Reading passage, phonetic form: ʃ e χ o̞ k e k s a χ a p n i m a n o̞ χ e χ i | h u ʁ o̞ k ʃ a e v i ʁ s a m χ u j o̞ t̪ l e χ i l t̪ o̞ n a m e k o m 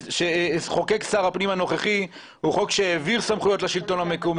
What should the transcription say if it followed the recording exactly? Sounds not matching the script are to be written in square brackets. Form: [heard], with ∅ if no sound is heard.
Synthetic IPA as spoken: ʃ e χ o̞ k e k s a [ʁ] a p n i m a n o̞ χ e χ i | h u [χ] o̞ k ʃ [e] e v i ʁ s a m χ u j o̞ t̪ l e [ʃ] i l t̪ o̞ n a m e k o m